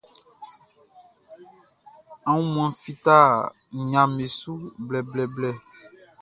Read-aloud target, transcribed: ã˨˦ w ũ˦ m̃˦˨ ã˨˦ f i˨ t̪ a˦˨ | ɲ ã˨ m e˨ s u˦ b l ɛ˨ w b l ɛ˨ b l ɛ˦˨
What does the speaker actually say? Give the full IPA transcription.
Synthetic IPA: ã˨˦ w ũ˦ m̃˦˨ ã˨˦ f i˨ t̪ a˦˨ | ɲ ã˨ m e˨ s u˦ b l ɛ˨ b l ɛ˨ b l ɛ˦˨

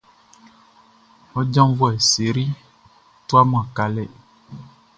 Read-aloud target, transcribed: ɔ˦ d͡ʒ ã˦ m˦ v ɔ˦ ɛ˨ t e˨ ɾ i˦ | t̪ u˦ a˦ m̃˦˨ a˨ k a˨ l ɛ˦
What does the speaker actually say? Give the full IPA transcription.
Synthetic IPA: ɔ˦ d͡ʒ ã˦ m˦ v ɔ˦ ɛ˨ s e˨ ɾ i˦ | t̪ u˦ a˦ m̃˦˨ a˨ k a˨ l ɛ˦

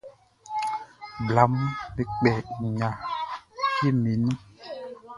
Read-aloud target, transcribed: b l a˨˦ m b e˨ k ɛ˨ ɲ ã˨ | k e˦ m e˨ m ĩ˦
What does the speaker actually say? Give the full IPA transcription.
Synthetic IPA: b l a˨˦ m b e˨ k͡p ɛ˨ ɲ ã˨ | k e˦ m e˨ n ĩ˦

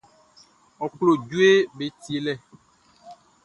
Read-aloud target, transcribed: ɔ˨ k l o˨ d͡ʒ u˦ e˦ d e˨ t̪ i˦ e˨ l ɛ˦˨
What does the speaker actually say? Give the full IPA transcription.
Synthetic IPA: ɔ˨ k l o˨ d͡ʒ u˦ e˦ b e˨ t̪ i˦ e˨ l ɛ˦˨

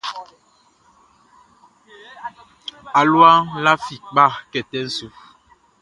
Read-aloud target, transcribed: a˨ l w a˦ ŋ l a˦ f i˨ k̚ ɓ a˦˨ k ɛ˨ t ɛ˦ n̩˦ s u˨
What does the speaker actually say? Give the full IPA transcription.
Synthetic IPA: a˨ l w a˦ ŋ l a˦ f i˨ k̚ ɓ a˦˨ k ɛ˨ t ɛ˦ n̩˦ s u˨

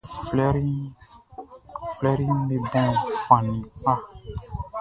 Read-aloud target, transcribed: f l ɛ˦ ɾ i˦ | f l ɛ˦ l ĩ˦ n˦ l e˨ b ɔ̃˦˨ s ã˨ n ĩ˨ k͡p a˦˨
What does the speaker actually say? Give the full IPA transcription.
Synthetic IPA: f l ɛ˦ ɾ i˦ | f l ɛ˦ ɾ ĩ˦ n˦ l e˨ b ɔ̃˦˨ f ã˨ n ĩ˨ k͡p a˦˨

